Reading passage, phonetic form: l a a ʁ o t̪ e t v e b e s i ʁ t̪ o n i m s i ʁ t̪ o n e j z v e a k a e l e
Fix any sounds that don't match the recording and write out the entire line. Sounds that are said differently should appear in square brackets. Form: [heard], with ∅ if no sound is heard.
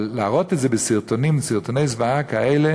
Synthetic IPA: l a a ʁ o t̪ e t [z] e b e s i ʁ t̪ o n i m s i ʁ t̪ o n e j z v [a] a k a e l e